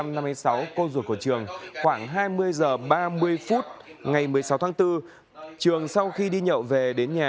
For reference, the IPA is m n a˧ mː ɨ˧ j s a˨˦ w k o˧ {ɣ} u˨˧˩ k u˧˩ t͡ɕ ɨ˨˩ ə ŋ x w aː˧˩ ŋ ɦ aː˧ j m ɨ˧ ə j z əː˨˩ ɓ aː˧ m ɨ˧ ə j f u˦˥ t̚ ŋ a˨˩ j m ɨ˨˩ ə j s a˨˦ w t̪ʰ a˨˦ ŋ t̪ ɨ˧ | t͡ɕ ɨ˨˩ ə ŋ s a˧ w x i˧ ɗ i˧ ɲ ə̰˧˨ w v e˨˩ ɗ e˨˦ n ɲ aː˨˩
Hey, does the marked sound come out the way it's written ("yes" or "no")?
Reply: no